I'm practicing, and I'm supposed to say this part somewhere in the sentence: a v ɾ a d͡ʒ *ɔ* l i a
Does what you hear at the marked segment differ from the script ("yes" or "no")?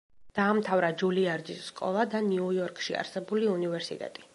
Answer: yes